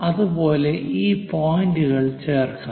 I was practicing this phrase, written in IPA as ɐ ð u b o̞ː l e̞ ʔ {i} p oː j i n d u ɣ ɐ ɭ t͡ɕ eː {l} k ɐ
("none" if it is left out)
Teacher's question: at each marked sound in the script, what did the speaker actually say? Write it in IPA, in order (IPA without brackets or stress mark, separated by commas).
iː, r